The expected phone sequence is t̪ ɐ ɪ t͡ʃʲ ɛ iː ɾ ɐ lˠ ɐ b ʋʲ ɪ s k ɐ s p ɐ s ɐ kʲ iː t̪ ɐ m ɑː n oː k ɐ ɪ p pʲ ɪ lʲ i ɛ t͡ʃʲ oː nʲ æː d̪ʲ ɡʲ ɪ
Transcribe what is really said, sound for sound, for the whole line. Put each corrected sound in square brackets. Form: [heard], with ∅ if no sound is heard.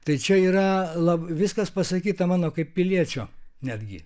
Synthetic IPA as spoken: t̪ ɐ ɪ t͡ʃʲ ɛ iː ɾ ɐ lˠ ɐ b ʋʲ ɪ s k ɐ s p ɐ s ɐ kʲ iː t̪ ɐ m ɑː n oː k ɐ ɪ p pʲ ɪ lʲ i ɛ t͡ʃʲ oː nʲ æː d̪ʲ ɡʲ ɪ